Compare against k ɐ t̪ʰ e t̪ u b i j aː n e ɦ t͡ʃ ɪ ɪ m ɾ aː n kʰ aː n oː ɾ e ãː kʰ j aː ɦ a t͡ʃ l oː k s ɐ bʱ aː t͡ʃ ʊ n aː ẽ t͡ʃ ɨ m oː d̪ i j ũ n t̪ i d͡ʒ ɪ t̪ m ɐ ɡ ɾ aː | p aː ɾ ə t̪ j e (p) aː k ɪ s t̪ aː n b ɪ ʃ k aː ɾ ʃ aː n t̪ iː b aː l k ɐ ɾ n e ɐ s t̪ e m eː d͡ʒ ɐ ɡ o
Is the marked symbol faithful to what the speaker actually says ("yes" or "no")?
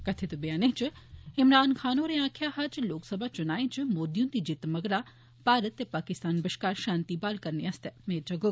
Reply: yes